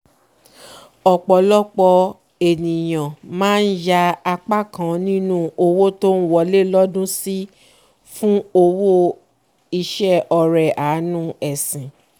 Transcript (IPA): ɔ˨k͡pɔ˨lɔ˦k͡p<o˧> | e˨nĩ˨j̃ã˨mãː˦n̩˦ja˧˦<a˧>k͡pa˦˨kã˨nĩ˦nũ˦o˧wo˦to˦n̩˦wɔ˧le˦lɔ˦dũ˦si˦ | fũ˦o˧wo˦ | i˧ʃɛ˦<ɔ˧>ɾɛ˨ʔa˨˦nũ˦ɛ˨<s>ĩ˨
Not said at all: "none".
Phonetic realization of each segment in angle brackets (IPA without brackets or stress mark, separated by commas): ɔ˧, a˧, ɔ˧, s